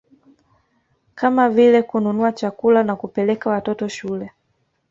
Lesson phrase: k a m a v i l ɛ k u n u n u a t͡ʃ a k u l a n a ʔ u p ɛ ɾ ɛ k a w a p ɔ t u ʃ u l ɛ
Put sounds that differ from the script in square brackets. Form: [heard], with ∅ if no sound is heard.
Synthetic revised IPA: k a m a v i l ɛ k u n u n u a t͡ʃ a k u l a n a [k] u p ɛ [l] ɛ k a w a [t] ɔ t [ɔ] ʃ u l ɛ